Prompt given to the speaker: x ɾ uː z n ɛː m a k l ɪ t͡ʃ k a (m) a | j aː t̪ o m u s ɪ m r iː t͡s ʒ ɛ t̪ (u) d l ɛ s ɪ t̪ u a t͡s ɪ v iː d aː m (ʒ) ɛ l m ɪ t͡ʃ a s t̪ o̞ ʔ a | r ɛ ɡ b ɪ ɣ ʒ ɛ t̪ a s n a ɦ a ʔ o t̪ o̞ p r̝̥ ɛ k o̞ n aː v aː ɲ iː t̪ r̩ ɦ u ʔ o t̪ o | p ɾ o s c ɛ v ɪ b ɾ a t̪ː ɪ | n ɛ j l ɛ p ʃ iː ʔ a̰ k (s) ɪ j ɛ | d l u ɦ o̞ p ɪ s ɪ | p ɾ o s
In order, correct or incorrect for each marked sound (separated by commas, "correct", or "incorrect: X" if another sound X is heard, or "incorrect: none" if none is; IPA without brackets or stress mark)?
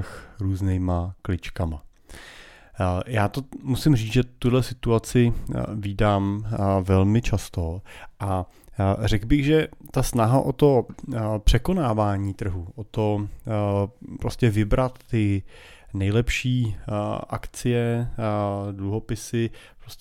correct, correct, incorrect: v, incorrect: t͡s